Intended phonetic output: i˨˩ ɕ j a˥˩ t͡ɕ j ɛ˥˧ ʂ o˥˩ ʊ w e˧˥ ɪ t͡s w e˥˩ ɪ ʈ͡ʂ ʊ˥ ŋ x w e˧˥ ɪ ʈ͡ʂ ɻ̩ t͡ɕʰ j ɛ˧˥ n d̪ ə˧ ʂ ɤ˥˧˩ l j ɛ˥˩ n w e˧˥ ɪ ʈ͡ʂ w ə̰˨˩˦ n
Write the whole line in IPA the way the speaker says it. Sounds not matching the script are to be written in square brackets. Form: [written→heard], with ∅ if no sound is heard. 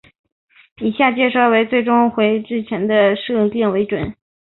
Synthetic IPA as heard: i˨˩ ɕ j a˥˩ t͡ɕ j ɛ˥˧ ʂ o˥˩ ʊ w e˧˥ ɪ t͡s w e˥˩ ɪ ʈ͡ʂ ʊ˥ ŋ x w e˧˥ ɪ ʈ͡ʂ ɻ̩ t͡ɕʰ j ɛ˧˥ n d̪ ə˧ ʂ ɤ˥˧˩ l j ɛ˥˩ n w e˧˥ ɪ ʈ͡ʂ w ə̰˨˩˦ n

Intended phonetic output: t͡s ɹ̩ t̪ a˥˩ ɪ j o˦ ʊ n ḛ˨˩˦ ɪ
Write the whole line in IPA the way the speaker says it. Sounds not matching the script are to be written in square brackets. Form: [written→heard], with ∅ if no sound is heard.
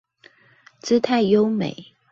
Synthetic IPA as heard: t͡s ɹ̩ [t̪→t̪ʰ] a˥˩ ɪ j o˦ ʊ [n→m] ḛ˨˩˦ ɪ

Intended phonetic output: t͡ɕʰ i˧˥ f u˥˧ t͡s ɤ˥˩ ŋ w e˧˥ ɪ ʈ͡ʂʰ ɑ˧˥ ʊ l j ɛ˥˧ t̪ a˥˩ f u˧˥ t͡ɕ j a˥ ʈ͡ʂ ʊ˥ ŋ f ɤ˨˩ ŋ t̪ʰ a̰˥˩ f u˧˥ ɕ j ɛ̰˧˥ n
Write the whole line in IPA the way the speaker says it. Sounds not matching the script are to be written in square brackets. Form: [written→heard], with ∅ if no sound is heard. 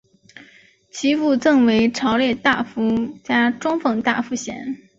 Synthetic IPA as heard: t͡ɕʰ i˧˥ f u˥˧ t͡s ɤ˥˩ ŋ w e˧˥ ɪ ʈ͡ʂʰ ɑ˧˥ ʊ l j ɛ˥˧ t̪ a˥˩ f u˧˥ t͡ɕ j a˥ ʈ͡ʂ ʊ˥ ŋ f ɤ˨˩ ŋ [t̪ʰ→t̪] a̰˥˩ f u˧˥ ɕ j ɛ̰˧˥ n

